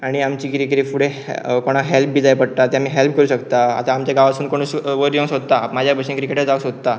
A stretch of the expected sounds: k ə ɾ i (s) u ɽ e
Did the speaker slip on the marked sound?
yes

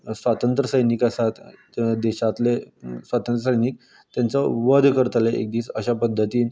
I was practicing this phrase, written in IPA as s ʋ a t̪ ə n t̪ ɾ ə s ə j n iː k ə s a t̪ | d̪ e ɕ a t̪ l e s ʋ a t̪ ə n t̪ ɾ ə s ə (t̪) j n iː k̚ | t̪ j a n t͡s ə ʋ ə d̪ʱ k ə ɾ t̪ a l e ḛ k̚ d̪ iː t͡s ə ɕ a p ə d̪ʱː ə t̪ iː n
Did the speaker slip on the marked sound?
yes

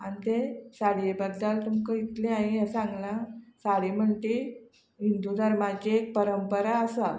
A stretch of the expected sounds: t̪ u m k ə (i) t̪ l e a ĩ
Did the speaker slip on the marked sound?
no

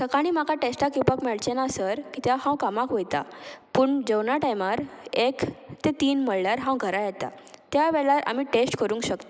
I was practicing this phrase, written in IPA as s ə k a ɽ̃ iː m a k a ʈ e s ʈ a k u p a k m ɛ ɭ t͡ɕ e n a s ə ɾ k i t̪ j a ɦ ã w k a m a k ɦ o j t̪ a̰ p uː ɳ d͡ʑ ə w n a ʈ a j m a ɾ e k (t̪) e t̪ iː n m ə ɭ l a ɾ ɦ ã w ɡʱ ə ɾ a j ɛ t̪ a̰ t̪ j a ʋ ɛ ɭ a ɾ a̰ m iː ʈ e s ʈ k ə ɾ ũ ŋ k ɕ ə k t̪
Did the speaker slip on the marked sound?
no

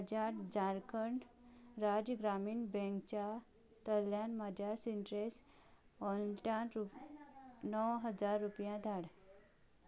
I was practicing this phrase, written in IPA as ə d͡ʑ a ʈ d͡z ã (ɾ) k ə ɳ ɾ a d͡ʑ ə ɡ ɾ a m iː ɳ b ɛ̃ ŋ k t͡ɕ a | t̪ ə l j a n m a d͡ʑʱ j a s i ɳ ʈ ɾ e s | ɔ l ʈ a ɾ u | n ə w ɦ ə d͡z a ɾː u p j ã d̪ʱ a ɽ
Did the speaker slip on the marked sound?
no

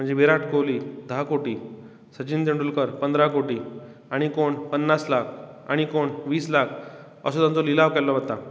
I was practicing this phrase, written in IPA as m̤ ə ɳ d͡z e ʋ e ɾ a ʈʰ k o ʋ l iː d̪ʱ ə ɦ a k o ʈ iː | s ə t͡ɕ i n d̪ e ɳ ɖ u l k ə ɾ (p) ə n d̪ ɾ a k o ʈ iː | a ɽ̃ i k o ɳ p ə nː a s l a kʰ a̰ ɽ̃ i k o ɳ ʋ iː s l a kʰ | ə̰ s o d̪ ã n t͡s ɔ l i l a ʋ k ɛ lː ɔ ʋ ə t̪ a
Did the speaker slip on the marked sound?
no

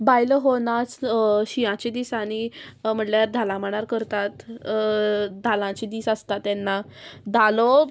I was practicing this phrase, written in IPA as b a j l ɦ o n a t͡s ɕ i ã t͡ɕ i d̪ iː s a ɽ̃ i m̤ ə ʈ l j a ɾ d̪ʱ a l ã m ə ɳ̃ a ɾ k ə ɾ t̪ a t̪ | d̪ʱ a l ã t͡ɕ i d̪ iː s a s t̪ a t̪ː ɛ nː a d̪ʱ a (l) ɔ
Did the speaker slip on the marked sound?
no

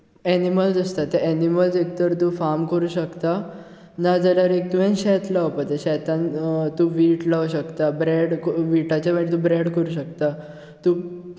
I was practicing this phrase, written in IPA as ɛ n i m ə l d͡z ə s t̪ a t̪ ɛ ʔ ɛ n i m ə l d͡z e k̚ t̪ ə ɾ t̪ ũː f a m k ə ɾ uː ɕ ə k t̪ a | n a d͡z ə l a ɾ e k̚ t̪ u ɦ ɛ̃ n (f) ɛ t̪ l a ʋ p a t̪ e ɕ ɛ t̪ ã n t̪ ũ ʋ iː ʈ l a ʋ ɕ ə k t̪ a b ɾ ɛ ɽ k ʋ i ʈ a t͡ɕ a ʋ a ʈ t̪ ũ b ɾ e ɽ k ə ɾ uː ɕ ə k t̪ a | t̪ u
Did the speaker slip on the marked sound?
yes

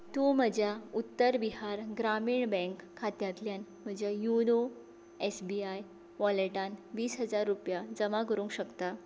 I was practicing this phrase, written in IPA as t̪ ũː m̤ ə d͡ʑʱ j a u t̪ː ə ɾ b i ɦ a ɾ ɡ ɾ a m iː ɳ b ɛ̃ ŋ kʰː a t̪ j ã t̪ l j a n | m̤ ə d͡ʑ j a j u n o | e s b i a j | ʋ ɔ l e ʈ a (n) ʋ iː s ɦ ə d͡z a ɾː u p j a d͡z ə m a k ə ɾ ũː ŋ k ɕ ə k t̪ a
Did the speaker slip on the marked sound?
no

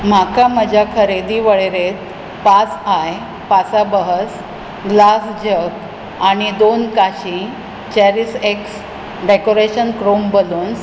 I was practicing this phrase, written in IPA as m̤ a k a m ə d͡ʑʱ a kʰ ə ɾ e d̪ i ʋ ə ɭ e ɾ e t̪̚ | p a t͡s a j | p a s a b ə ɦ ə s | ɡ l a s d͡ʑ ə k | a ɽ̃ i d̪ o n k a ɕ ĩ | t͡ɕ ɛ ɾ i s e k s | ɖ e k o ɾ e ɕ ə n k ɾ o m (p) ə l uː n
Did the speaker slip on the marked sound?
yes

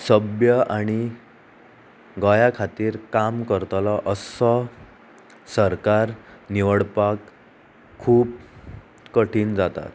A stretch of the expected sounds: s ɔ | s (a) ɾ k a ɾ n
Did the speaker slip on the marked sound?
yes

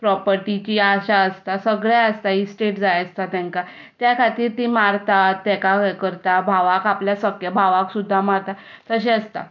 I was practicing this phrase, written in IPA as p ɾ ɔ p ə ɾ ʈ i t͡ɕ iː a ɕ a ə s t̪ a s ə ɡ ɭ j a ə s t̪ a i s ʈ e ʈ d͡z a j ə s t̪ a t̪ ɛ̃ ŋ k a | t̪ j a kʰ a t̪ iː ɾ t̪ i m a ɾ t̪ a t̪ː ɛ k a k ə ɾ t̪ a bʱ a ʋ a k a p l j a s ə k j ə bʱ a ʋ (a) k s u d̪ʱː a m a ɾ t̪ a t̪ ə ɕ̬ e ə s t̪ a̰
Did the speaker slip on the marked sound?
no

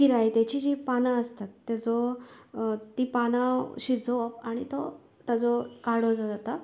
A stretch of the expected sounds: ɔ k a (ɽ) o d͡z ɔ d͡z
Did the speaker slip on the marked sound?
no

